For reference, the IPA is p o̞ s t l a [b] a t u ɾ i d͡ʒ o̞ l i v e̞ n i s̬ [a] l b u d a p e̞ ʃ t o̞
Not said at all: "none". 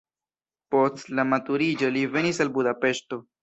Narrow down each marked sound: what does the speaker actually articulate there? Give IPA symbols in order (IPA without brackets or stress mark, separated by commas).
m, a